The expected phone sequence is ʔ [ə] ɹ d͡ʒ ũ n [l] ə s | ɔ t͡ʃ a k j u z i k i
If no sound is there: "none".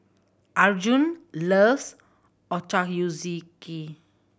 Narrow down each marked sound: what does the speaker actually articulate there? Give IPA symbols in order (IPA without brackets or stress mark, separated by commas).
a, l